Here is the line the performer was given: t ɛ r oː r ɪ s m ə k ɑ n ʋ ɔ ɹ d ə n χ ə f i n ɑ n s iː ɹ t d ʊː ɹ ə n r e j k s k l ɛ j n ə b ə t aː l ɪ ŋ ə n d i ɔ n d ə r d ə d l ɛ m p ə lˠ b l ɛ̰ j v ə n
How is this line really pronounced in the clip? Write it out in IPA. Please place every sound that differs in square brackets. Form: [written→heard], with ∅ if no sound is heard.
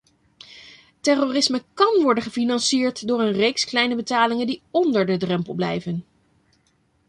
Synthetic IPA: t ɛ r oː r ɪ s m ə k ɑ n ʋ ɔ ɹ d ə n χ ə f i n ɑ n s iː ɹ t d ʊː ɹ ə n r e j k s k l ɛ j n ə b ə t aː l ɪ ŋ ə n d i ɔ n d ə [r→ɹ] d ə d [l→r] ɛ m p ə lˠ b l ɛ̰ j v ə n